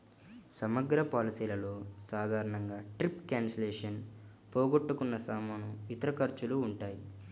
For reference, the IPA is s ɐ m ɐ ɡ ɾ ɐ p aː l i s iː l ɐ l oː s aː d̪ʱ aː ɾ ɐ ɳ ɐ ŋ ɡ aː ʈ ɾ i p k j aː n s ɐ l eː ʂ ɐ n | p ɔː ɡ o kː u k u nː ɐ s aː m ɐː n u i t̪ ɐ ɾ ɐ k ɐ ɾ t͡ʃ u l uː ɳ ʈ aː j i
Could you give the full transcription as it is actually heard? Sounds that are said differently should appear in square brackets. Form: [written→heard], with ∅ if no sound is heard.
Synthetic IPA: s ɐ m ɐ ɡ ɾ ɐ p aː l i s iː l ɐ l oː s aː d̪ʱ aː ɾ ɐ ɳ ɐ ŋ ɡ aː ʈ ɾ i p k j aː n s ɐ l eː ʂ ɐ n | p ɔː ɡ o [kː→ʈː] u k u nː ɐ s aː m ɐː n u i t̪ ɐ ɾ ɐ k ɐ ɾ t͡ʃ u l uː ɳ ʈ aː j i